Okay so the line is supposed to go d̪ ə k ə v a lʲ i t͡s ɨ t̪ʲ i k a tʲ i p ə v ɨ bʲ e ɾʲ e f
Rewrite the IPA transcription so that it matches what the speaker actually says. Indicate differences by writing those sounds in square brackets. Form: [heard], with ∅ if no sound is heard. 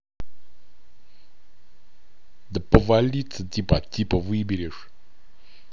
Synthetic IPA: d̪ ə [p] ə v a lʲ i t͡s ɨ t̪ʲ i [p] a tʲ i p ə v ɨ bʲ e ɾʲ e [ʂ]

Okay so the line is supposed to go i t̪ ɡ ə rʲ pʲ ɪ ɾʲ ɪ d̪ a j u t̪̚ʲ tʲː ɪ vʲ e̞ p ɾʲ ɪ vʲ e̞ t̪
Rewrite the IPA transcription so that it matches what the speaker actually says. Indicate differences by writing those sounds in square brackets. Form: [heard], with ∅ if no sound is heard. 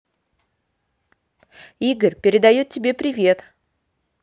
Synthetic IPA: i [∅] ɡ ə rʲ pʲ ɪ ɾʲ ɪ d̪ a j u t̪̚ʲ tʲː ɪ [bʲ] e̞ p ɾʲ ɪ vʲ e̞ t̪

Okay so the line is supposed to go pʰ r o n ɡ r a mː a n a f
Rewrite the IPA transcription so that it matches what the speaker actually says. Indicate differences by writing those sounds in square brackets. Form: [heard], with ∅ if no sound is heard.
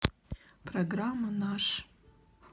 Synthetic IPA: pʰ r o [∅] ɡ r a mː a n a [ʂ]

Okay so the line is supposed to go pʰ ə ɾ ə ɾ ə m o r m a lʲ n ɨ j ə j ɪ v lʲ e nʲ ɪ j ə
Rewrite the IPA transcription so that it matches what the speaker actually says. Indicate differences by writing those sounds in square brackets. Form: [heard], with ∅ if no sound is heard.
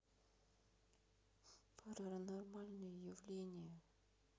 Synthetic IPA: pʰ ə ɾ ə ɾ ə [n] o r m a lʲ n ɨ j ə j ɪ v lʲ e nʲ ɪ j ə

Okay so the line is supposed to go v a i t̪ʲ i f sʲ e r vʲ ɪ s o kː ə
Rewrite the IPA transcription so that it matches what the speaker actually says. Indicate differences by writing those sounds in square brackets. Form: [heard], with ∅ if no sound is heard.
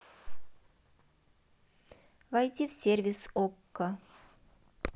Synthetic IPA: v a [j] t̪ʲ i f sʲ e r vʲ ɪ s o kː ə

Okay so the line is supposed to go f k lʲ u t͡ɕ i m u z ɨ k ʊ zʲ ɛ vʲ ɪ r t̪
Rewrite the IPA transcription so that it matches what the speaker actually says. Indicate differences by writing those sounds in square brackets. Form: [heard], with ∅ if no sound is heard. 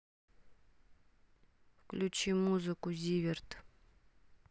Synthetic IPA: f k lʲ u t͡ɕ i m u z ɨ k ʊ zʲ [i] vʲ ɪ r t̪

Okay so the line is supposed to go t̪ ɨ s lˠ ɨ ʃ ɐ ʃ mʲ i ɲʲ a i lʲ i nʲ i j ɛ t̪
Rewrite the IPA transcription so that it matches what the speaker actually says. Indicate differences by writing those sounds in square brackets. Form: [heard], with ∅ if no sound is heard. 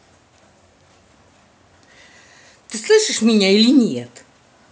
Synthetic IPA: t̪ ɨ s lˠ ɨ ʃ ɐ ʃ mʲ i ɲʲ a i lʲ i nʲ i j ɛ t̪

